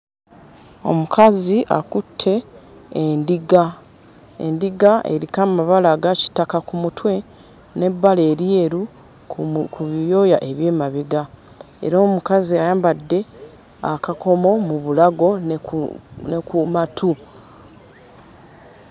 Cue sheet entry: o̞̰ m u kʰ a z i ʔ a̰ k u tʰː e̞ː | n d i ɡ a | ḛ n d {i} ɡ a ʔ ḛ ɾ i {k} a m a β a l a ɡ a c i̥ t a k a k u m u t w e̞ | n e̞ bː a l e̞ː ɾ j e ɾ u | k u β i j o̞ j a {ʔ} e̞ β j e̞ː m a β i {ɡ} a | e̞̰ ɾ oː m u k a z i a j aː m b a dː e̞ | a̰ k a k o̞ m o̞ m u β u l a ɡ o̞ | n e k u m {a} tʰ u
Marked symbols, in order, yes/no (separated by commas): yes, yes, yes, yes, yes